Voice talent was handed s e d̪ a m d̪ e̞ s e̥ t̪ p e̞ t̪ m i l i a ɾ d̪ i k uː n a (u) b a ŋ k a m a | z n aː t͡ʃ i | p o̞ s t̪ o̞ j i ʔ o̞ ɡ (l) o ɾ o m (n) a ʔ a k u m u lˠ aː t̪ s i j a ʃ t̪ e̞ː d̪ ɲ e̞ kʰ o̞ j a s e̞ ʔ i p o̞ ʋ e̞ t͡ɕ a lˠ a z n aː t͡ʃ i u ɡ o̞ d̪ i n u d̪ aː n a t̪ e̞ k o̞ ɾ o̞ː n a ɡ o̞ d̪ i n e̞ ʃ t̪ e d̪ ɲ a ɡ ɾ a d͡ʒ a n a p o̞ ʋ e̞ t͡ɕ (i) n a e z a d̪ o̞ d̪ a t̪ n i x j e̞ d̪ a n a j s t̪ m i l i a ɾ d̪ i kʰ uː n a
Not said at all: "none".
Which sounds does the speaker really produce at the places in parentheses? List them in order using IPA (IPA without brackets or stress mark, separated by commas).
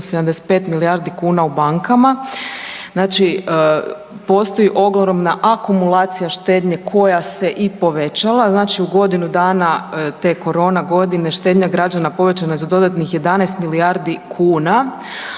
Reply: u, l, n, a